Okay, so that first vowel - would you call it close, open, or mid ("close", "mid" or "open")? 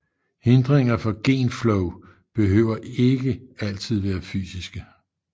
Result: mid